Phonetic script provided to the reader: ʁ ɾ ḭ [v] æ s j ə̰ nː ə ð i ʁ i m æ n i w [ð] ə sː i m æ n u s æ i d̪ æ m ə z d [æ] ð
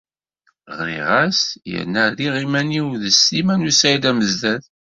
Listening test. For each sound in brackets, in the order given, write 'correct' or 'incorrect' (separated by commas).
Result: incorrect, correct, correct